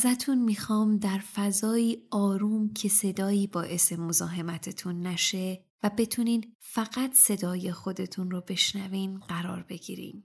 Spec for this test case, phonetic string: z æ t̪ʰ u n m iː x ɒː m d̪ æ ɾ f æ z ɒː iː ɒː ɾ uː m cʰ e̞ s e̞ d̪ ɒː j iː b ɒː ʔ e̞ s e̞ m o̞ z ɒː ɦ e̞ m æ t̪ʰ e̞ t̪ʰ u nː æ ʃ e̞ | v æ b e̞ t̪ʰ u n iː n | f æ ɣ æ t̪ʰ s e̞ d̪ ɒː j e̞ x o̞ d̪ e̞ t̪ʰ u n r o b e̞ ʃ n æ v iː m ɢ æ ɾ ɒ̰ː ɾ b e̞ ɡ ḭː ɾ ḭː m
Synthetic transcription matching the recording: z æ t̪ʰ u n m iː x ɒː m d̪ æ ɾ f æ z ɒː iː ɒː ɾ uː m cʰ e̞ s e̞ d̪ ɒː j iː b ɒː ʔ e̞ s e̞ m o̞ z ɒː ɦ e̞ m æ t̪ʰ e̞ t̪ʰ u nː æ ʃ e̞ | v æ b e̞ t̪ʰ u n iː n | f æ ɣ æ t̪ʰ s e̞ d̪ ɒː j e̞ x o̞ d̪ e̞ t̪ʰ u n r o b e̞ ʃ n æ v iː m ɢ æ ɾ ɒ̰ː ɾ b e̞ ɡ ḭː ɾ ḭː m